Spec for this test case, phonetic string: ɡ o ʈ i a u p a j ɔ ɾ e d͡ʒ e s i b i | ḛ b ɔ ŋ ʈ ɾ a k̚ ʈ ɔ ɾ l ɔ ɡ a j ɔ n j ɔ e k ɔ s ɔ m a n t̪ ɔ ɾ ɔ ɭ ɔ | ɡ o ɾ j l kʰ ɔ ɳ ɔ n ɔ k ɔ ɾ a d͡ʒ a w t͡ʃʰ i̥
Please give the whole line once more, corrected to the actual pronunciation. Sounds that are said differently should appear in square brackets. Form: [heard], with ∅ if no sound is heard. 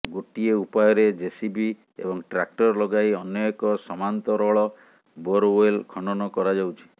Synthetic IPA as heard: ɡ o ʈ i [e] u p a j ɔ ɾ e d͡ʒ e s i b i | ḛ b ɔ ŋ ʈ ɾ a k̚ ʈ ɔ ɾ l ɔ ɡ a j ɔ n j ɔ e k ɔ s ɔ m a n t̪ ɔ ɾ ɔ ɭ ɔ | [b] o ɾ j l kʰ ɔ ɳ ɔ n ɔ k ɔ ɾ a d͡ʒ a w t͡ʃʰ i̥